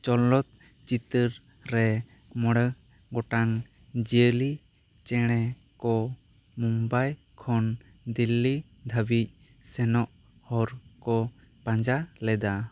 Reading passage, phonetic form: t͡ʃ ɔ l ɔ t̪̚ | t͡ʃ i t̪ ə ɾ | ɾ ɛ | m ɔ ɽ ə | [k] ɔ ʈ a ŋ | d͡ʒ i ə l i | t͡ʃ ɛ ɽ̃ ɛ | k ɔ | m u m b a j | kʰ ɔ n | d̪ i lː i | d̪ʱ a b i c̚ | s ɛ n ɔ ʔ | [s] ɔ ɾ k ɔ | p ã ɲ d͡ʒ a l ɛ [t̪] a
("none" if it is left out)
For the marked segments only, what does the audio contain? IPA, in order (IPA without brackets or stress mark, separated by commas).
ɡ, h, d̪